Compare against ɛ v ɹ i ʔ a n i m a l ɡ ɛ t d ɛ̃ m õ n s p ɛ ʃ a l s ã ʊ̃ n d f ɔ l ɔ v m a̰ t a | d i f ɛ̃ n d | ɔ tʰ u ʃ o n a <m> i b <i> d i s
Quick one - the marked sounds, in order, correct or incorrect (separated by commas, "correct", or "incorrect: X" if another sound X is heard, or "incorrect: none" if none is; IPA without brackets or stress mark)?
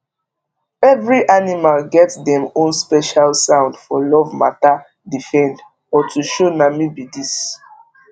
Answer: correct, correct